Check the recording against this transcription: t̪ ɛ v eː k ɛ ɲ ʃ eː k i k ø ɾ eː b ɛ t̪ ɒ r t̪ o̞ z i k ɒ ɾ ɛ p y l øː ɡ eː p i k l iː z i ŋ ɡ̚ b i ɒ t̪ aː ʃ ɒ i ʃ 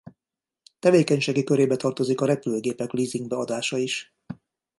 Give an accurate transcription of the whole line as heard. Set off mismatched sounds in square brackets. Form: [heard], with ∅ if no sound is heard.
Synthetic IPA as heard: t̪ ɛ v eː k ɛ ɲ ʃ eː [ɡ] i k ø ɾ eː b ɛ t̪ ɒ r t̪ o̞ z i k ɒ ɾ ɛ p y l øː ɡ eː p [ɛ] k l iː z i ŋ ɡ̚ b [ɛ] ɒ [d̪] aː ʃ ɒ i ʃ